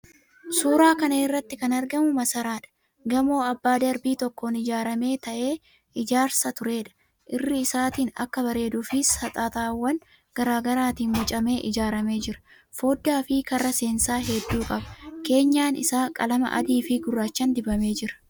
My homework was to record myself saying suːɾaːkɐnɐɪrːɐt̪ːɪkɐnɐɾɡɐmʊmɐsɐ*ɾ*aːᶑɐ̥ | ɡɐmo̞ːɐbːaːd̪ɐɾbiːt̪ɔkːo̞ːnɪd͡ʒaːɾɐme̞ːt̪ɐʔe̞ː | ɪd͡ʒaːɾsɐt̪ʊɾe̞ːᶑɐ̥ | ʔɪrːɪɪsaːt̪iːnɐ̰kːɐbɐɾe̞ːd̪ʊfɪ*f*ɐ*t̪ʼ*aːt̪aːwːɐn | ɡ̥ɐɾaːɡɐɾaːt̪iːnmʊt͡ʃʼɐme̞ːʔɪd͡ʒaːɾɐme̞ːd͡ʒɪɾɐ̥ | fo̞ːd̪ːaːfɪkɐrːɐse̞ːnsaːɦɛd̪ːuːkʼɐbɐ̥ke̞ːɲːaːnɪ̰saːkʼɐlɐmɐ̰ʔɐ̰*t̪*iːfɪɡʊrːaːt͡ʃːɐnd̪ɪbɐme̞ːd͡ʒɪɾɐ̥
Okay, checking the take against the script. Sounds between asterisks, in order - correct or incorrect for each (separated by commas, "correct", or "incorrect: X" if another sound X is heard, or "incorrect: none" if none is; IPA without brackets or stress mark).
correct, incorrect: s, correct, incorrect: d̪